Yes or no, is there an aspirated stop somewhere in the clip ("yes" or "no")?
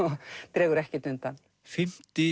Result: no